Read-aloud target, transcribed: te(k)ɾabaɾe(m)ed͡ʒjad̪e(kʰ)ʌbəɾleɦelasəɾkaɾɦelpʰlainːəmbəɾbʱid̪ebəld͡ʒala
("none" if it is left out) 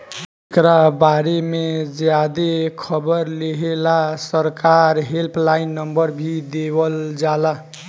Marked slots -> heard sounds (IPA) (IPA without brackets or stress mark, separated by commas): k, m, kʰ